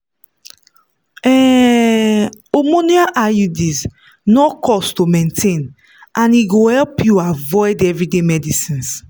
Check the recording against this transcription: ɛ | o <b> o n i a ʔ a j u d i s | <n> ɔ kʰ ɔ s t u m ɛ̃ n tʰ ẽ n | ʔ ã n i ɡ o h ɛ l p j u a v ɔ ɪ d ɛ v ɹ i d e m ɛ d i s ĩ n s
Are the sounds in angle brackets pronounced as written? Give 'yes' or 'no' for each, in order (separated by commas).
no, yes